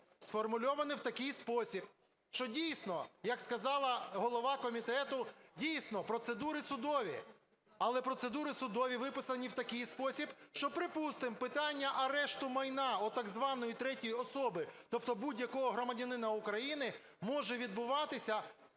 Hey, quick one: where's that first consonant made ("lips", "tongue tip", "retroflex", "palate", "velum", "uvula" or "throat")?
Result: tongue tip